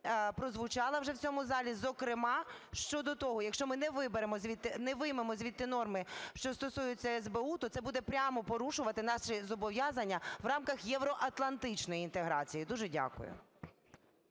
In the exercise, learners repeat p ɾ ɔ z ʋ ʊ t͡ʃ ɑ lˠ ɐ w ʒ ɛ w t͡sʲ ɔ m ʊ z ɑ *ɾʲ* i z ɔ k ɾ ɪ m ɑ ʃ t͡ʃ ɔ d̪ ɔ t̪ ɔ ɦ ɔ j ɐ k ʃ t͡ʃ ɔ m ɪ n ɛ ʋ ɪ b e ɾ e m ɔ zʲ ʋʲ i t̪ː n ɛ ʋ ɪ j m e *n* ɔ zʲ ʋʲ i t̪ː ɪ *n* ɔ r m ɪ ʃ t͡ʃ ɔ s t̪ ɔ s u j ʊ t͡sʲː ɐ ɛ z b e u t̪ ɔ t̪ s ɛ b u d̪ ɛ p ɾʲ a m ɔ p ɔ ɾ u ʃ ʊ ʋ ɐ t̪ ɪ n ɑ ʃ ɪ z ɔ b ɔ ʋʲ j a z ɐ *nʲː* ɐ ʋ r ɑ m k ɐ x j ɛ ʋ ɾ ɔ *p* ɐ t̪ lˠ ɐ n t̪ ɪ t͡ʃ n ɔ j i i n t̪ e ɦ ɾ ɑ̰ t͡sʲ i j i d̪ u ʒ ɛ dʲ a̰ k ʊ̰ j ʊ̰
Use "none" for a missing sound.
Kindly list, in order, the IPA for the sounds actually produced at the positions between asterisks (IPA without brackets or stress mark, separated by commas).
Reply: lʲ, m, n, nʲː, ʔ